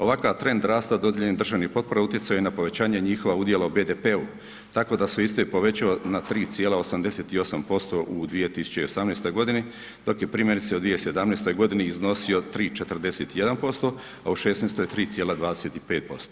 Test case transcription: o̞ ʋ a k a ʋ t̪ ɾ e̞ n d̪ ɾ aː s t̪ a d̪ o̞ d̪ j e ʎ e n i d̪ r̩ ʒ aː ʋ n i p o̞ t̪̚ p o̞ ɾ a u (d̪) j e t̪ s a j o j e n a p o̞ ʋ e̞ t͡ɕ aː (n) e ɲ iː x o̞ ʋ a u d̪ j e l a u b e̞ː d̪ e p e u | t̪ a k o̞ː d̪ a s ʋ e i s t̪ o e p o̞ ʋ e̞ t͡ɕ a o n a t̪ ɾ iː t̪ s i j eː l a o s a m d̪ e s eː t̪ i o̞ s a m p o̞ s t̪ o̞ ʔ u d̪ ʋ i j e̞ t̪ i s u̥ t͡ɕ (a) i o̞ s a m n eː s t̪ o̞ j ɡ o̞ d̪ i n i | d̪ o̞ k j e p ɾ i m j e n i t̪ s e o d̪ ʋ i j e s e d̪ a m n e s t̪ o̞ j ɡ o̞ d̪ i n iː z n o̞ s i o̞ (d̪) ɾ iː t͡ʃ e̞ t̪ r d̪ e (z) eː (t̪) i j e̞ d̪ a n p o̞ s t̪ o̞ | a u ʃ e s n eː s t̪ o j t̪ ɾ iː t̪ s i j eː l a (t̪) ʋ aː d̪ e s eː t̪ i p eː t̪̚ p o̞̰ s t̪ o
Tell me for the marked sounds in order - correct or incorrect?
incorrect, incorrect, incorrect, incorrect, incorrect, correct, incorrect

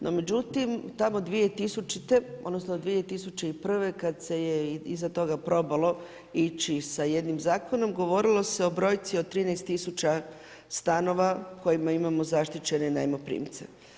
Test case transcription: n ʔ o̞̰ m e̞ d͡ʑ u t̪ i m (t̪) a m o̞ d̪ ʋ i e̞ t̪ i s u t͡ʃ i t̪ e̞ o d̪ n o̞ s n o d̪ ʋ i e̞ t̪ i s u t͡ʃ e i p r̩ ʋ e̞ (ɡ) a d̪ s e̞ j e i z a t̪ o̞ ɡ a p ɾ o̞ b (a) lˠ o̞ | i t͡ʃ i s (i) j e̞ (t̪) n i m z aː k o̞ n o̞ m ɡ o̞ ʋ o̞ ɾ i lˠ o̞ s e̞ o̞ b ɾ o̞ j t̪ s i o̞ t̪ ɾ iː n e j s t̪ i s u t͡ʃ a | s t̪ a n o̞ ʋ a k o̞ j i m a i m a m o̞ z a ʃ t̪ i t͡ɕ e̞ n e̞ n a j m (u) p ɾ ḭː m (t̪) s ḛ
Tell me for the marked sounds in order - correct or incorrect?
correct, incorrect, correct, incorrect, incorrect, incorrect, correct

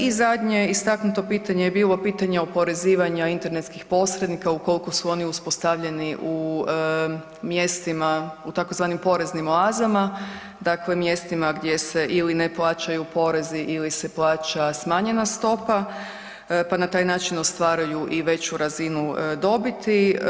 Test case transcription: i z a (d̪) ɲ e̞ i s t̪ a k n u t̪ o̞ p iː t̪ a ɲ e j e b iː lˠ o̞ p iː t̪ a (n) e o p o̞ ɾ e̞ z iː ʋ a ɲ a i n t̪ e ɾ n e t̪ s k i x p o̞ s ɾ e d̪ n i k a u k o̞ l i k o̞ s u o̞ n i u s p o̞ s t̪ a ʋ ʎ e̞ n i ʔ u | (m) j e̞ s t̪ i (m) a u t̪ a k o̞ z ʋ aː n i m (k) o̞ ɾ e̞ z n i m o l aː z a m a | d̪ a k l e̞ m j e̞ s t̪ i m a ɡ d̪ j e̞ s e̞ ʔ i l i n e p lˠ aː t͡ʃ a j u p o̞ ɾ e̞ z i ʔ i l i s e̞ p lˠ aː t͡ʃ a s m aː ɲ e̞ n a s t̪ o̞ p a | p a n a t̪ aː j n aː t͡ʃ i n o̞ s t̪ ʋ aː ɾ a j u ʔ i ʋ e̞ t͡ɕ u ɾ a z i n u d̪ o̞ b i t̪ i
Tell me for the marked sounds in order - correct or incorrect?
correct, incorrect, correct, correct, incorrect

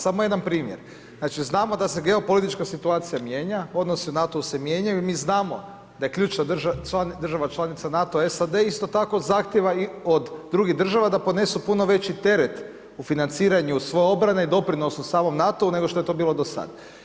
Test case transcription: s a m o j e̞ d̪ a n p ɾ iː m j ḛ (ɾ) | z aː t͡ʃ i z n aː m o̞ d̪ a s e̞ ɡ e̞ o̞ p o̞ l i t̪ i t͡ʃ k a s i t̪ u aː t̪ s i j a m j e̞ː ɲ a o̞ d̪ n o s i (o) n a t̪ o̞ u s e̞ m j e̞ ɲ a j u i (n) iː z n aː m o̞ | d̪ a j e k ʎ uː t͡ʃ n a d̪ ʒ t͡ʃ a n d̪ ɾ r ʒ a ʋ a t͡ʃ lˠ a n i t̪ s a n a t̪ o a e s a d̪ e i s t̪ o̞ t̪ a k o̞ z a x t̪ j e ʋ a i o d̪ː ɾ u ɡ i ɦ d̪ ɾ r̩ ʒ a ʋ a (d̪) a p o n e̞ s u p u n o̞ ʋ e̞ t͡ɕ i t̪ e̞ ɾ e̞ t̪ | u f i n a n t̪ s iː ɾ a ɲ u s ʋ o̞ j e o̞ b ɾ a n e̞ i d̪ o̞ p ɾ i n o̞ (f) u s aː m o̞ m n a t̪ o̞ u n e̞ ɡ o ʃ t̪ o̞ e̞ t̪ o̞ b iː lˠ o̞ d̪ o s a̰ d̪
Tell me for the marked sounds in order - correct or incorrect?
correct, incorrect, incorrect, correct, incorrect

